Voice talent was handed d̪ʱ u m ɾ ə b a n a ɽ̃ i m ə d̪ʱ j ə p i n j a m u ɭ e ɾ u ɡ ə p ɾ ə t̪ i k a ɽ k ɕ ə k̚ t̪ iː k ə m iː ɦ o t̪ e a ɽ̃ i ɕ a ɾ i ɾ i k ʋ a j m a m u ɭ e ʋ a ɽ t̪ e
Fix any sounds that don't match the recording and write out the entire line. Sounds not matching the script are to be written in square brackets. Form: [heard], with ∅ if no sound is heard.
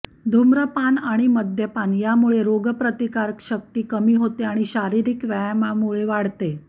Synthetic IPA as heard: d̪ʱ u m ɾ ə [p] a n a ɽ̃ i m ə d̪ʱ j ə p [a] n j a m u ɭ e ɾ [o] ɡ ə p ɾ ə t̪ i k a [ɾ] k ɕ ə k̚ t̪ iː k ə m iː ɦ o t̪ e a ɽ̃ i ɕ a ɾ i ɾ i k ʋ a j m a m u ɭ e ʋ a ɽ t̪ e

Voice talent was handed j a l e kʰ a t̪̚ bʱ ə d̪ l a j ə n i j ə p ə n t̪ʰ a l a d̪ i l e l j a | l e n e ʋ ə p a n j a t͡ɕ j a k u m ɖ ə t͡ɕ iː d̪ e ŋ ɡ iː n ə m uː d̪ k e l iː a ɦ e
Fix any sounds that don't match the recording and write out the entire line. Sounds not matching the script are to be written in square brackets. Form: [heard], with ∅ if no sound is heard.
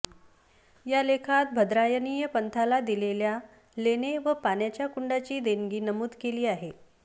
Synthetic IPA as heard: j a l e kʰ a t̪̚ bʱ ə d̪ [ɾ] a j ə n i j ə p ə n t̪ʰ a l a d̪ i l e l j a | l e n e ʋ ə p a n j a t͡ɕ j a k u [ɳ] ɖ [a] t͡ɕ iː d̪ e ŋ ɡ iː n ə m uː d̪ k e l iː a ɦ e

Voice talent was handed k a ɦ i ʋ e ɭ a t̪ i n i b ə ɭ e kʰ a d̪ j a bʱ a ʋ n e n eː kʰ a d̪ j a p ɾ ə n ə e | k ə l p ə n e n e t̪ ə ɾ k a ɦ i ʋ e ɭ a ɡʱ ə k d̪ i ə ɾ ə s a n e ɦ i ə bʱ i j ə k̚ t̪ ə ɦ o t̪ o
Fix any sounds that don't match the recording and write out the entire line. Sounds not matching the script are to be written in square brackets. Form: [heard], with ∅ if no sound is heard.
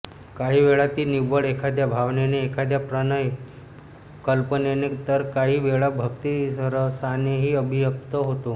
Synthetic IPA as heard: k a ɦ i ʋ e ɭ a t̪ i n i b ə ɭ e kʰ a d̪ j a bʱ a ʋ n e n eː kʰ a d̪ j a p ɾ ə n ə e | k ə l p ə n e n e t̪ ə ɾ k a ɦ i ʋ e ɭ a [bʱ] ə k [t̪] i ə ɾ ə s a n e ɦ i ə bʱ i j ə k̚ t̪ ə ɦ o t̪ o

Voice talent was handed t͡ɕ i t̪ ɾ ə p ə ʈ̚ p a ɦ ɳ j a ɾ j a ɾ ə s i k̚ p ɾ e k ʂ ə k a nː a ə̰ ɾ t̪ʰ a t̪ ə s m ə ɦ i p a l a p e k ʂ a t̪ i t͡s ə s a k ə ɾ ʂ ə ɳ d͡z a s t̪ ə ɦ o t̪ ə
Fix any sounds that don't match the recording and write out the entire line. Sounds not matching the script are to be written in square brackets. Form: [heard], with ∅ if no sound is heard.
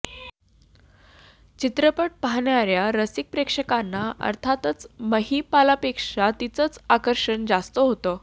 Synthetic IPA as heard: t͡ɕ i t̪ ɾ ə p ə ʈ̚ p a ɦ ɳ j a ɾ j a ɾ ə s i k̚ p ɾ e k ʂ ə k a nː a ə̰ ɾ t̪ʰ a t̪ ə [t͡s] m ə ɦ i p a l a p e k ʂ a t̪ i t͡s ə [t͡s] a k ə ɾ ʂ ə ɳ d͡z a s t̪ ə ɦ o t̪ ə

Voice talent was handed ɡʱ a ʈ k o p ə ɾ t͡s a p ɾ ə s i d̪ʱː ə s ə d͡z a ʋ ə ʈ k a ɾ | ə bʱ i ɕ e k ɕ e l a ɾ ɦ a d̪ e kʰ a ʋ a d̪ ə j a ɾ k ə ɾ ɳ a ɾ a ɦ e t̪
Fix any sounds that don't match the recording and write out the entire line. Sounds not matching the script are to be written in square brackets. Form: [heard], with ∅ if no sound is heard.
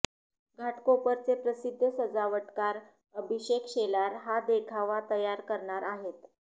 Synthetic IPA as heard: ɡʱ a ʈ k o p ə ɾ t͡s [e] p ɾ ə s i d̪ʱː ə s ə d͡z a ʋ ə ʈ k a ɾ | ə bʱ i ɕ e k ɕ e l a ɾ ɦ a d̪ e kʰ a ʋ a [t̪] ə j a ɾ k ə ɾ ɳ a ɾ a ɦ e t̪

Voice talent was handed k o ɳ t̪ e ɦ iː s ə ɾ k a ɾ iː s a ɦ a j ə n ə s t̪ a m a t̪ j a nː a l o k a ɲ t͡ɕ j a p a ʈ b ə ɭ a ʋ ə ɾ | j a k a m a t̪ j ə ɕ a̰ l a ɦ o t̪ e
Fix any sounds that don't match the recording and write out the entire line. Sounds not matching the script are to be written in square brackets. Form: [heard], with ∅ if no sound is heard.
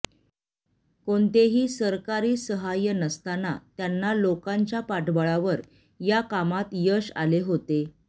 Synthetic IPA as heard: k o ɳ t̪ e ɦ iː s ə ɾ k a ɾ iː s [ə] ɦ a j ə n ə s t̪ a [n] a t̪ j a nː a l o k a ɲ t͡ɕ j a p a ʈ b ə ɭ a ʋ ə ɾ | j a k a m a t̪ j ə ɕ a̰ l [e] ɦ o t̪ e

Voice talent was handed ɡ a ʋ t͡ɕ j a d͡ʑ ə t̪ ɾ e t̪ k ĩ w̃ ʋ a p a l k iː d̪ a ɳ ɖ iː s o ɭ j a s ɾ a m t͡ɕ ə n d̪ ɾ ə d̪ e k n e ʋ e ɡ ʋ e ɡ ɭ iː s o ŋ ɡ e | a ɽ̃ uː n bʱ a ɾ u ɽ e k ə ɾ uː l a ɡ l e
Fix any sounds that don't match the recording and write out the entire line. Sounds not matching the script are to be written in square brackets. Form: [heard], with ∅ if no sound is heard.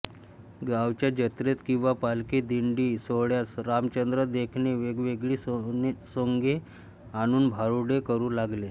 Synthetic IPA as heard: ɡ a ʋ t͡ɕ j a d͡ʑ ə t̪ ɾ e t̪ k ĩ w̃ ʋ a p a l k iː d̪ [i] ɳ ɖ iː s o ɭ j a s ɾ a m t͡ɕ ə n d̪ ɾ ə d̪ e [kʰ] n e ʋ e ɡ ʋ e ɡ ɭ iː s o ŋ ɡ e | a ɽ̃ uː n bʱ a ɾ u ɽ e k ə ɾ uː l a ɡ l e

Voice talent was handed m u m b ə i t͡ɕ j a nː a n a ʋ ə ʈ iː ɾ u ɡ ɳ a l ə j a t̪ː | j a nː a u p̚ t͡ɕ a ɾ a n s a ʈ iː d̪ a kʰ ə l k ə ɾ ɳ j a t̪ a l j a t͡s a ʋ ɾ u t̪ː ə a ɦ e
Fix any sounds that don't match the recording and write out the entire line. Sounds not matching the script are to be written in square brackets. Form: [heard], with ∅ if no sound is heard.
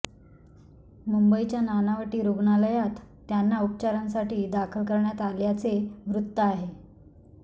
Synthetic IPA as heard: m u m b ə i t͡ɕ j a [n] a n a ʋ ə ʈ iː ɾ u ɡ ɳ a l ə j a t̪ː | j a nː a u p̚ t͡ɕ a ɾ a n s a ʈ iː d̪ a kʰ ə l k ə ɾ ɳ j a t̪ a l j a t͡s [e] ʋ ɾ u t̪ː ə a ɦ e

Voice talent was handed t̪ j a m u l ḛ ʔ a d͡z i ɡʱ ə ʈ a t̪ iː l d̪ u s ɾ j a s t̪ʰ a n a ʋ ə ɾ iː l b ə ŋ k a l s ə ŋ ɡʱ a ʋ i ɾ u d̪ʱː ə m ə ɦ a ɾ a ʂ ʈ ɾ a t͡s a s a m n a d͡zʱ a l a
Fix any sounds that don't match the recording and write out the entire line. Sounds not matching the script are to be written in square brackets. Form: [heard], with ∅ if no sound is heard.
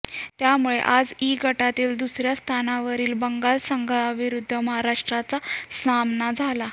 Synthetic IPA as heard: t̪ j a m u [ɭ] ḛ ʔ a d͡z i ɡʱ ə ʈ a t̪ iː l d̪ u s ɾ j a s t̪ʰ a n a ʋ ə ɾ iː l b ə ŋ [ɡ] a l s ə ŋ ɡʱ a ʋ i ɾ u d̪ʱː ə m ə ɦ a ɾ a ʂ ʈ ɾ a t͡s a s a m n a d͡zʱ a l a

